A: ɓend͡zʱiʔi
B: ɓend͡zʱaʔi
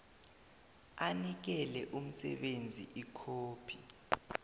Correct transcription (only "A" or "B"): A